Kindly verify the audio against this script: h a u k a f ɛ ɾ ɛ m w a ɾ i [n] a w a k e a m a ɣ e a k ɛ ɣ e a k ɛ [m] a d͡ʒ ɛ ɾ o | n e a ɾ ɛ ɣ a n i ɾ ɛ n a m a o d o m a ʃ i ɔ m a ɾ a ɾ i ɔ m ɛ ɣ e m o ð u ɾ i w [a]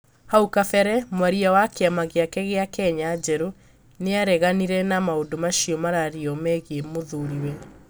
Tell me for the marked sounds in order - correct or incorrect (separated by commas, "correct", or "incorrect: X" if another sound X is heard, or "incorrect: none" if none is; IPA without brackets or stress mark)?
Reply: incorrect: none, incorrect: ɲ, incorrect: ɛ